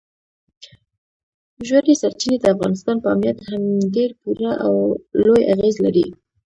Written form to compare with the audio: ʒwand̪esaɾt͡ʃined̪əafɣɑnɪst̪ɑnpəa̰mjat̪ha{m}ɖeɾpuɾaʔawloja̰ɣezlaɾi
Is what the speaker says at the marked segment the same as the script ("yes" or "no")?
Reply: yes